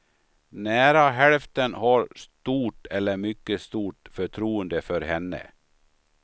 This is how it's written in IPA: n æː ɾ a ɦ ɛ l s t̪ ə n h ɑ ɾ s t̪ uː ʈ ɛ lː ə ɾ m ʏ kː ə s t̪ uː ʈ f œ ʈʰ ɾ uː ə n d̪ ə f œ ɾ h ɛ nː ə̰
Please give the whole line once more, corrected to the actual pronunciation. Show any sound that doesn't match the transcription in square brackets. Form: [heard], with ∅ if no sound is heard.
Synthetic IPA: n æː ɾ a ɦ ɛ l [f] t̪ ə n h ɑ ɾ s t̪ uː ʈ ɛ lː ə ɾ m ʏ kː ə s t̪ uː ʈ f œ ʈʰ ɾ uː ə n d̪ ə f œ ɾ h ɛ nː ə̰